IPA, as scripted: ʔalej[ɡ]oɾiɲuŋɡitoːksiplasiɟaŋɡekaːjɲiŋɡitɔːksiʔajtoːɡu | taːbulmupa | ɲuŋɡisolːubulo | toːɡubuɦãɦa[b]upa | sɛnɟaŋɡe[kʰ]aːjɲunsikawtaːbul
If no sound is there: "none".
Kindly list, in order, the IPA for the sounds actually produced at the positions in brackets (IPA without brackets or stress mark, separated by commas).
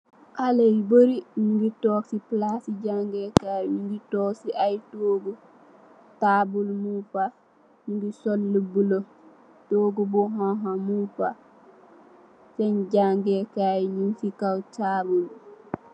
b, m, k